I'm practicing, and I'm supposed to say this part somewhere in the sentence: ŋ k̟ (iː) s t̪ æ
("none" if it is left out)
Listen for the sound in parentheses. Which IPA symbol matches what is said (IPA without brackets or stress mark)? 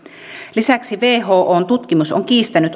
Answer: iː